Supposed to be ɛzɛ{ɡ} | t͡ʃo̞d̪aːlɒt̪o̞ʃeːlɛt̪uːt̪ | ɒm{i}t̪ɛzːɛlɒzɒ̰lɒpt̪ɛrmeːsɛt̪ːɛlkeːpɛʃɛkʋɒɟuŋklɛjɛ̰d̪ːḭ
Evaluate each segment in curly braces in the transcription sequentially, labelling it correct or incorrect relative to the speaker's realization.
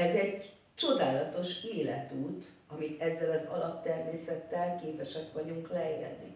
incorrect: ɟ, correct

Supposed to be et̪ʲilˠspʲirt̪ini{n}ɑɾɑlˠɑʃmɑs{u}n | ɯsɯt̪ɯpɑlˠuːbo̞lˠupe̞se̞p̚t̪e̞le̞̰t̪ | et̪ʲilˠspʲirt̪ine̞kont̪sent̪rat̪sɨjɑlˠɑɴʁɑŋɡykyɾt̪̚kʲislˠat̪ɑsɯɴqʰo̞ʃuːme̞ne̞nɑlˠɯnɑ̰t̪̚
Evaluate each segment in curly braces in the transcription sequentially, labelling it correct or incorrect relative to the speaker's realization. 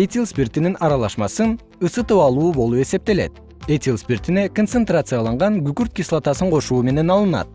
correct, incorrect: ɯ

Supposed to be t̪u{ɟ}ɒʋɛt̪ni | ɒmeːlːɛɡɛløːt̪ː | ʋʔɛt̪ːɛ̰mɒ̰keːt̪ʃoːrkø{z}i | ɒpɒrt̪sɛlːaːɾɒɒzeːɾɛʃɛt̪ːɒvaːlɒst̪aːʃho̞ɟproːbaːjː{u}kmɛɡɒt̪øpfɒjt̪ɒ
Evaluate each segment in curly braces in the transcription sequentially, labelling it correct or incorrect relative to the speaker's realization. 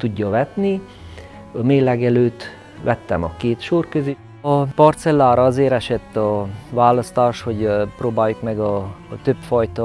incorrect: ɟː, correct, correct

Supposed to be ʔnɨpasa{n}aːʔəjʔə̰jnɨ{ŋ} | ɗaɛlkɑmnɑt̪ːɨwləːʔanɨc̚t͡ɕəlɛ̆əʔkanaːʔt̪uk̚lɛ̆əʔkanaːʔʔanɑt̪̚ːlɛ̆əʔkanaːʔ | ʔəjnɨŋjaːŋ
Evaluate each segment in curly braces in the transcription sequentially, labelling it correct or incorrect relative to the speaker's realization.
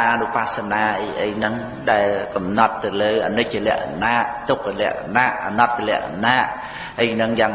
correct, correct

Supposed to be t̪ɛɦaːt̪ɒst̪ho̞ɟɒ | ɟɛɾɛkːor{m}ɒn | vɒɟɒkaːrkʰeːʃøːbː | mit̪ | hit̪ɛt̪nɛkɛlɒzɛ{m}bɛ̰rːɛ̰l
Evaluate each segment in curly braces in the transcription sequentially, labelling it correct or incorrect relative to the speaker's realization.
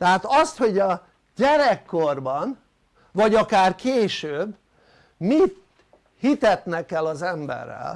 incorrect: b, correct

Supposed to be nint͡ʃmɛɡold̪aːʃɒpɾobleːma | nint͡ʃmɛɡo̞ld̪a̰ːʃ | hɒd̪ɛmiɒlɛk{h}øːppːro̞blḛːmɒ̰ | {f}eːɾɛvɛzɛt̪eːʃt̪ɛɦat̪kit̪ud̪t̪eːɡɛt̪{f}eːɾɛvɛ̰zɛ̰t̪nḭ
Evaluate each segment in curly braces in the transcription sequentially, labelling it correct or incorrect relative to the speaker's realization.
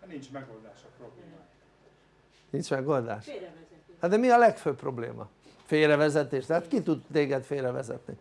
incorrect: f, correct, correct

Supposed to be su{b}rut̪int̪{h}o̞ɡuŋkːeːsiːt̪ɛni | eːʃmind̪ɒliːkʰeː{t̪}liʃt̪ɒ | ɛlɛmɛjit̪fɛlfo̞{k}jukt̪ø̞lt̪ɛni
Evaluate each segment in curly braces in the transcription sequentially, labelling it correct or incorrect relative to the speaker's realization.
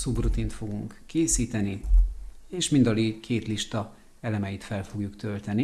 correct, incorrect: f, correct, incorrect: ɡ

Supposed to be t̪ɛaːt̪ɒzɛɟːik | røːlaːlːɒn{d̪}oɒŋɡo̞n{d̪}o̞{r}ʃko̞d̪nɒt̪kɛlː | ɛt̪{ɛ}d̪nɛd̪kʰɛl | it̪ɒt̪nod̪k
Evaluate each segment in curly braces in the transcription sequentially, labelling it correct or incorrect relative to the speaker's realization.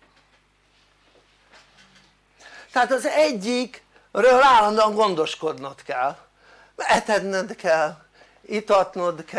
correct, correct, incorrect: none, correct

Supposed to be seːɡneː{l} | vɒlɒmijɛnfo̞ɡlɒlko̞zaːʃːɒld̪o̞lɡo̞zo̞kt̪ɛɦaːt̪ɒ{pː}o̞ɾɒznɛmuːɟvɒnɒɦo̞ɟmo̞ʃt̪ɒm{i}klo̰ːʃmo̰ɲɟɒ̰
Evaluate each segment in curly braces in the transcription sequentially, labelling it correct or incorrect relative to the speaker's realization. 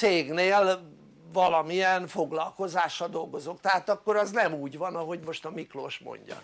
correct, incorrect: kː, correct

